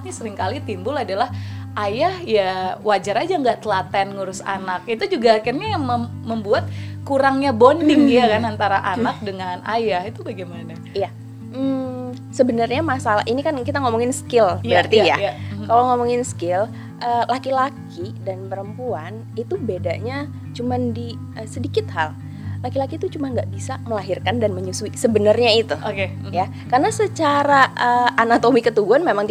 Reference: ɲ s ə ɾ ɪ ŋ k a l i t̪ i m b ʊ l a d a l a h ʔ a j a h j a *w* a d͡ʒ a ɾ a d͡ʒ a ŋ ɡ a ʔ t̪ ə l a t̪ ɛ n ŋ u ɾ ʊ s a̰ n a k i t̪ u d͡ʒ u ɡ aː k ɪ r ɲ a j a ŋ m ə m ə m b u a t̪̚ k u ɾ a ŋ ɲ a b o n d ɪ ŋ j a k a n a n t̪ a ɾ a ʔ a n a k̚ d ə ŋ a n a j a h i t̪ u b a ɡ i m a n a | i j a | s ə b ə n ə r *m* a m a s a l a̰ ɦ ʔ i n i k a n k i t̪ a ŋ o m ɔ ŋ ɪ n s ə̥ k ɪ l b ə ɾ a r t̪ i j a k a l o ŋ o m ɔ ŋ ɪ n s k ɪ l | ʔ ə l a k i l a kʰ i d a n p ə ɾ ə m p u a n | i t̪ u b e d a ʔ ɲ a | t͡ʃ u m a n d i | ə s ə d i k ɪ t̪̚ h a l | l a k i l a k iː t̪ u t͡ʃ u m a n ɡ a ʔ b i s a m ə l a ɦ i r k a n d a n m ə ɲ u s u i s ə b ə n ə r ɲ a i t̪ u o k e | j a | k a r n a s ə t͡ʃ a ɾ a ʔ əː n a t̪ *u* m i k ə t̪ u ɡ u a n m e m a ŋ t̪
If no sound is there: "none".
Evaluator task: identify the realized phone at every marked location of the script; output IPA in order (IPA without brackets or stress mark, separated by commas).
w, ɲ, o